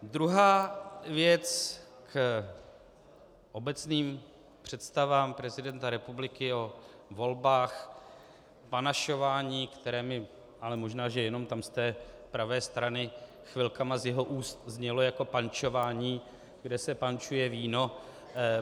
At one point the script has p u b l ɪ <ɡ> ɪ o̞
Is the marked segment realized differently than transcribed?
yes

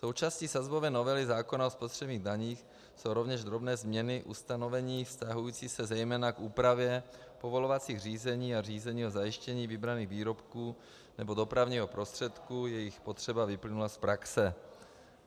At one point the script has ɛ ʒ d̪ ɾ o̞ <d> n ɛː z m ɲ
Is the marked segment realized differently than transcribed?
yes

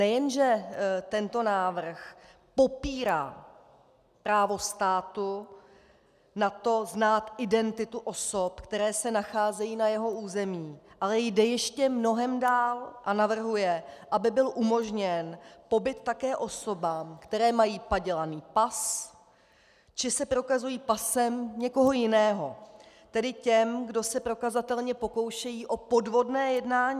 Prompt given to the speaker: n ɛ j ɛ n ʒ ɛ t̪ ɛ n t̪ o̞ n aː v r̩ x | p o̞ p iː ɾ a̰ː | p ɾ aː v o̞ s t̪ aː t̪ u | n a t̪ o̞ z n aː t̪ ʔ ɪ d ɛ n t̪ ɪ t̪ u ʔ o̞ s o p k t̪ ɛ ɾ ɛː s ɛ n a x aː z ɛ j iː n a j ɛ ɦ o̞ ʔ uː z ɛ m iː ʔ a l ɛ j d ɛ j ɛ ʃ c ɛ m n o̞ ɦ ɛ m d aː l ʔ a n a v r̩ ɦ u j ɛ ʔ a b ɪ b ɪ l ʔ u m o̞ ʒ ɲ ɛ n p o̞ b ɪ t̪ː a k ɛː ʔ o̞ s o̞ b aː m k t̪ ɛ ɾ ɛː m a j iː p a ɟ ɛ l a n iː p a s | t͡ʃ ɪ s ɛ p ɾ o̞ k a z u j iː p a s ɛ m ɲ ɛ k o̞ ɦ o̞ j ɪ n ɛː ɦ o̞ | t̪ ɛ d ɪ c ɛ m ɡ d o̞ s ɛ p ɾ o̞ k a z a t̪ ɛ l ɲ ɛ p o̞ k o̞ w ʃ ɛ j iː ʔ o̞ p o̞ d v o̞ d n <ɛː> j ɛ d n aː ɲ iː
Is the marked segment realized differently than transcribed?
no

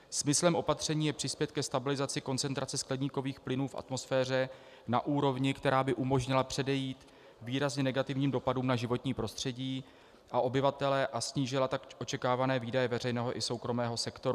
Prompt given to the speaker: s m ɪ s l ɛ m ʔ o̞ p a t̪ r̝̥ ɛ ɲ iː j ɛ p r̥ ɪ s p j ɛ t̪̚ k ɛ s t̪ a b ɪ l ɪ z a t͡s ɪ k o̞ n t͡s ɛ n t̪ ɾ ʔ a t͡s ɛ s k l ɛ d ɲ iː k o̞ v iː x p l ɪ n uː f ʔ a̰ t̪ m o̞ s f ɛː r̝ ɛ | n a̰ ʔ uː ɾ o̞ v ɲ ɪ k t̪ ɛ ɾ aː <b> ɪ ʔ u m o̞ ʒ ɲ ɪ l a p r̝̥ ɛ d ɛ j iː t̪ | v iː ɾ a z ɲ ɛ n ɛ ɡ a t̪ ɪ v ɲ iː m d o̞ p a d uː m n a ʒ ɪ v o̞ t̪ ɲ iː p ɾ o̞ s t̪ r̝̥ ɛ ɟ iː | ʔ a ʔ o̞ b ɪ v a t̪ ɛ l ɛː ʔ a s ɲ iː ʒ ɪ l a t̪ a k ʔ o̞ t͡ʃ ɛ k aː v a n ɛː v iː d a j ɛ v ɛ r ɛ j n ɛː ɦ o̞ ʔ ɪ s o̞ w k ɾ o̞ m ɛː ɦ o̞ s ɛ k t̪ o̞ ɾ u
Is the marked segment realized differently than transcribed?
no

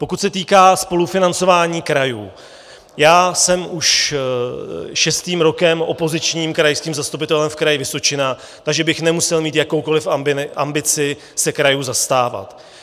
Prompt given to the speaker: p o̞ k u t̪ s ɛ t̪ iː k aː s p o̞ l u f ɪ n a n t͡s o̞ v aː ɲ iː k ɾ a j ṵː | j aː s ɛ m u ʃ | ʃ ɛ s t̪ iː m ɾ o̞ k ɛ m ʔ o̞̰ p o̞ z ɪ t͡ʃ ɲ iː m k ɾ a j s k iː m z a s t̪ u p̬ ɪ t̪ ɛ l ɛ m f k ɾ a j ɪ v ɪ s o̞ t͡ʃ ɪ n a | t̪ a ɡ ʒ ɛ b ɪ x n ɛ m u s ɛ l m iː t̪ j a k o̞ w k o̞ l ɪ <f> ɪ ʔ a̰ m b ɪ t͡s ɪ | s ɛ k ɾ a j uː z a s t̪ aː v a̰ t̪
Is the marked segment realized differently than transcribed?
no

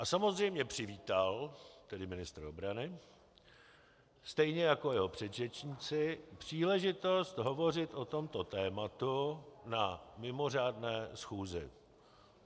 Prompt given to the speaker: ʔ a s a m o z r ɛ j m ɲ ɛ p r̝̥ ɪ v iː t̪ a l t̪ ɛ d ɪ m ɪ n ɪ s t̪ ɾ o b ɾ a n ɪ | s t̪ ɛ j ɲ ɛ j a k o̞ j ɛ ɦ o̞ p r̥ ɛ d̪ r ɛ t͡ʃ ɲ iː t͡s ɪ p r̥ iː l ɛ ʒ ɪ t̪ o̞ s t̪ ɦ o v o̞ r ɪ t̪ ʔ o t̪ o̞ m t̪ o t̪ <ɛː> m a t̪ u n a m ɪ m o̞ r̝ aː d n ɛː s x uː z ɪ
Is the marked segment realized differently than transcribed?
no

